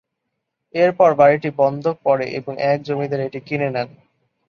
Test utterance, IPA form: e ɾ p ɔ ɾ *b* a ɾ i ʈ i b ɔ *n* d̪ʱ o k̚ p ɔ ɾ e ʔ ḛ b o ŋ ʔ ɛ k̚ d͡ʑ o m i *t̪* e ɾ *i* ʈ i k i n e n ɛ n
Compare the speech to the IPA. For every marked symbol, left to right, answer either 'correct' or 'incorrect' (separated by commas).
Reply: correct, correct, incorrect, incorrect